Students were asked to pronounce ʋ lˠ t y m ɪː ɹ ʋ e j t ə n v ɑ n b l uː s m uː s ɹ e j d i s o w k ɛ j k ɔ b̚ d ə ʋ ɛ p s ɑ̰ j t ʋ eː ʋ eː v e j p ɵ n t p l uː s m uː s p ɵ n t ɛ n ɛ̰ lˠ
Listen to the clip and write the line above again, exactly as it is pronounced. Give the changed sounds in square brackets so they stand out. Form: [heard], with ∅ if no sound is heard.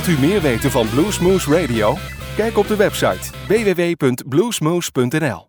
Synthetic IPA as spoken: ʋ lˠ t y m ɪː ɹ ʋ e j t ə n v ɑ n b l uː s m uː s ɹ e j d i [∅] o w k ɛ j k ɔ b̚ d ə ʋ ɛ p s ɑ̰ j t ʋ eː ʋ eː [ʋ] e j p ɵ n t [b] l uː s m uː s p ɵ n t ɛ n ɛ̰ lˠ